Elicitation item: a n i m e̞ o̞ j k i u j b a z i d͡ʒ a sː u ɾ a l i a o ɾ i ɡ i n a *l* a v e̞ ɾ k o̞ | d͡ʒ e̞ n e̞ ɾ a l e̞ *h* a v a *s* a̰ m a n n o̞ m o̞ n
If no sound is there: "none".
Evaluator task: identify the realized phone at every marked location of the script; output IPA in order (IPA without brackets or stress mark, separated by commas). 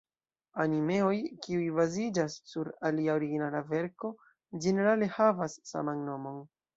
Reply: l, h, sː